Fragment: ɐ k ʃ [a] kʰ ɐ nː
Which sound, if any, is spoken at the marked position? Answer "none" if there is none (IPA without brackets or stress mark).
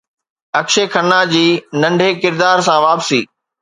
e